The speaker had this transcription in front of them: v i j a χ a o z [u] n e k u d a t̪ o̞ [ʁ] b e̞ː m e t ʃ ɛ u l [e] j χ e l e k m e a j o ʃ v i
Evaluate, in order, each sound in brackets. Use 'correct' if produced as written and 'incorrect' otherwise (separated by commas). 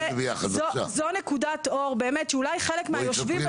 incorrect, correct, incorrect